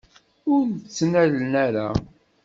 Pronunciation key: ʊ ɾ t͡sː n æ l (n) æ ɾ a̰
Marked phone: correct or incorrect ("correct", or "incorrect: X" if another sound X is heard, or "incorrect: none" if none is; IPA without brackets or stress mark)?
correct